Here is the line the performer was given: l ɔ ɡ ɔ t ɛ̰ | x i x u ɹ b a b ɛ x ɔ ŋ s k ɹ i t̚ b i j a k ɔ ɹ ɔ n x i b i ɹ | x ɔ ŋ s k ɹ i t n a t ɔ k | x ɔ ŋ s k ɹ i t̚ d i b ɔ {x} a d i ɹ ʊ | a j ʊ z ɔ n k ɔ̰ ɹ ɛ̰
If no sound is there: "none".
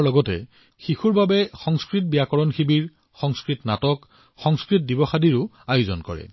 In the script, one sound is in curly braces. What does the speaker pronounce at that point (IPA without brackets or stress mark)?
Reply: x